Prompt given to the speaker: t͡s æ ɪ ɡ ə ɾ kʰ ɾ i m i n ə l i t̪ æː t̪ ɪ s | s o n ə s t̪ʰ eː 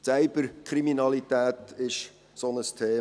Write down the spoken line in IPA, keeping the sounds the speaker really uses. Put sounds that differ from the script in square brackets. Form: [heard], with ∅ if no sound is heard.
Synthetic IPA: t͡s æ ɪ [b] ə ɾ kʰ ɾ i m i n [ɑ] l i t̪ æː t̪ ɪ [ʃ] | s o n ə s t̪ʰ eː